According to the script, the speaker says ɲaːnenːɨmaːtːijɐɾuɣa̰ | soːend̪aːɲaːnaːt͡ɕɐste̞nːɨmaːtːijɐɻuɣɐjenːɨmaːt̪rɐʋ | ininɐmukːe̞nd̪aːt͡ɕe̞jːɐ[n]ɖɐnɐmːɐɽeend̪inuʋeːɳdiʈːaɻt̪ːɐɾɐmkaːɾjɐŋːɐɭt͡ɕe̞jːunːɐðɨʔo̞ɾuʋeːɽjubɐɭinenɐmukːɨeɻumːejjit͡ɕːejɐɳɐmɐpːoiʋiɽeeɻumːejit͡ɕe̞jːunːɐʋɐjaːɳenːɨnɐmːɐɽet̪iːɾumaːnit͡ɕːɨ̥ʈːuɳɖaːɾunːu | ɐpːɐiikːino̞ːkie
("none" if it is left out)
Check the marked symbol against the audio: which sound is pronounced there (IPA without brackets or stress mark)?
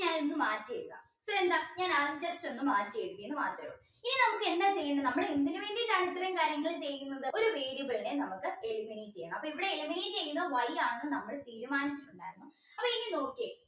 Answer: ɳ